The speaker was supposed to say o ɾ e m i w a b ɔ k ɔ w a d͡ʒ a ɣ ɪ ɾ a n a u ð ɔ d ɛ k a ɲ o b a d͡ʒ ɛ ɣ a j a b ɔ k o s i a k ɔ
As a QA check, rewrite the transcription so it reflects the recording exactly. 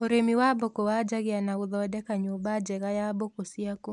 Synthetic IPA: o ɾ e m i w a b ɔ k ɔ w a d͡ʒ a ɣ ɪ a n a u ð ɔ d ɛ k a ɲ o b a d͡ʒ ɛ ɣ a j a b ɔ k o s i a k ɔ